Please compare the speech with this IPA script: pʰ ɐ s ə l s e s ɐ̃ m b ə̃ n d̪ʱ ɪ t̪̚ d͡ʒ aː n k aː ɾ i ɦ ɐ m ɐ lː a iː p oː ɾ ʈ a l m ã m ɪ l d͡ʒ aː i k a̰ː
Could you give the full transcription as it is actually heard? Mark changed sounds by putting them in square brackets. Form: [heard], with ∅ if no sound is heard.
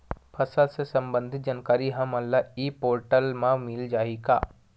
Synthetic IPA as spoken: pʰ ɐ s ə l s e s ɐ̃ m b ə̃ n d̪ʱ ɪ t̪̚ d͡ʒ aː n k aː ɾ i ɦ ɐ m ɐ lː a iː p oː ɾ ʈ [ə] l m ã m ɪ l d͡ʒ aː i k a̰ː